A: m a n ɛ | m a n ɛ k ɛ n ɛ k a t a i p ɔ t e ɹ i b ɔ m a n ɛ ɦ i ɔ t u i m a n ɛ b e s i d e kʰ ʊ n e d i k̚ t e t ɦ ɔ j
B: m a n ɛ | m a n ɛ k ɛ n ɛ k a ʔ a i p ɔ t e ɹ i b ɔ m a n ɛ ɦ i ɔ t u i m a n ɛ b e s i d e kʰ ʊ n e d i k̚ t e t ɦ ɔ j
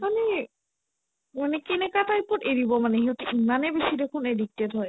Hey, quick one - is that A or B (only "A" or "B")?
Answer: A